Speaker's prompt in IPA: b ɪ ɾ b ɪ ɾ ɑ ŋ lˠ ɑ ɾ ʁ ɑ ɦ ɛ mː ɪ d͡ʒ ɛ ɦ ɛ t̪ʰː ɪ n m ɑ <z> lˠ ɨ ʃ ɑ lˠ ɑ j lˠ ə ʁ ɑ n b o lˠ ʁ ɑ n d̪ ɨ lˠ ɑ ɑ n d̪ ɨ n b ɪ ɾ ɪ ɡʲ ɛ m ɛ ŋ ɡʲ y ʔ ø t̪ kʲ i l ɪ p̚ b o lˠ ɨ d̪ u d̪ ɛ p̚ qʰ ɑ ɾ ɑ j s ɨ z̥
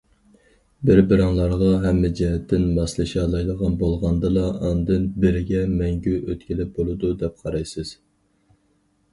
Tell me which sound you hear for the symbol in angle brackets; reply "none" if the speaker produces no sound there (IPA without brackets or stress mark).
s